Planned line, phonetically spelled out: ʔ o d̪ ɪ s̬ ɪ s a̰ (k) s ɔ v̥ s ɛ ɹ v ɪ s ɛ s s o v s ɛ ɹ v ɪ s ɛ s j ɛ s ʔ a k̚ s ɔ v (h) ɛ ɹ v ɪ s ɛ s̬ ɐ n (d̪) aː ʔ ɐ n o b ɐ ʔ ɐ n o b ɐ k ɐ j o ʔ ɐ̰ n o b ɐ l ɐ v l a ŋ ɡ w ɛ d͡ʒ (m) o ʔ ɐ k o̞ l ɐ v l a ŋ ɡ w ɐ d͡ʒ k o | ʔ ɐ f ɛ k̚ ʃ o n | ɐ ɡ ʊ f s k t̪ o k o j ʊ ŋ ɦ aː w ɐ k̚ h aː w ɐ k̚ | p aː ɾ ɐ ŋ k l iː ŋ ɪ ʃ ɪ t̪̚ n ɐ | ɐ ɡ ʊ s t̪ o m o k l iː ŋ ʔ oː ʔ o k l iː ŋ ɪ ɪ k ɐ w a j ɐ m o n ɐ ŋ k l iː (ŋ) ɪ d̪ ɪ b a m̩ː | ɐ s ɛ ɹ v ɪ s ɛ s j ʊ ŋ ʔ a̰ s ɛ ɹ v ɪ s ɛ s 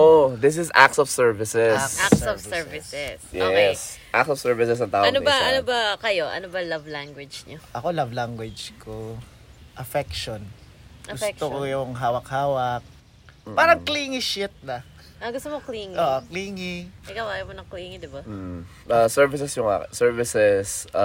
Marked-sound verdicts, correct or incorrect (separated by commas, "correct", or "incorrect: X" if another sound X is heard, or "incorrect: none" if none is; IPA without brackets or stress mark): correct, incorrect: s, incorrect: t̪, incorrect: ɲ, correct